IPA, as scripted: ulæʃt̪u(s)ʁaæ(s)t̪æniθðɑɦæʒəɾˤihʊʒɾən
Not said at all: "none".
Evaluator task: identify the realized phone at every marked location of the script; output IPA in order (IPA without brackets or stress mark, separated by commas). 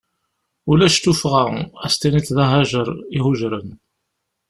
f, s